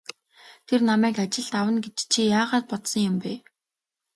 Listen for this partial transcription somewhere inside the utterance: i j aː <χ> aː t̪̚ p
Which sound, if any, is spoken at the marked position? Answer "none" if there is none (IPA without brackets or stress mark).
ʁ